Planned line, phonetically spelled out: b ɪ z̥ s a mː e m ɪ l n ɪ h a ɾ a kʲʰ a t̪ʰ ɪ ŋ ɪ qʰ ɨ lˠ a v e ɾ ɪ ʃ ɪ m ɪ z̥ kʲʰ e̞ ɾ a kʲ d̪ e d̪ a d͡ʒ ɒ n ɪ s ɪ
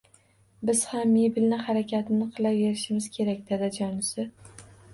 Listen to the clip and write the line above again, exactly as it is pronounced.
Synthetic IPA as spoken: b ɪ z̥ h a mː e b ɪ l n ɪ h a ɾ a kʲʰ a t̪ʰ ɪ n ɪ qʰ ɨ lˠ a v e ɾ ɪ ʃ ɪ m ɪ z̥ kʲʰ e̞ ɾ a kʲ d̪ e d̪ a d͡ʒ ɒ n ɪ s ɪ